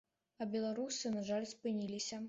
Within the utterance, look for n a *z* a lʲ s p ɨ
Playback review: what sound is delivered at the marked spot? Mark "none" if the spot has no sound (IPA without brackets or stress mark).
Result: ʐ